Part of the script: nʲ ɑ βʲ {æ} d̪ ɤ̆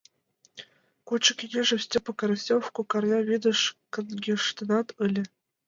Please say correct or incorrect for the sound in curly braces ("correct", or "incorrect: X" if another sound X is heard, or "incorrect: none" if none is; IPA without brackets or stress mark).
incorrect: i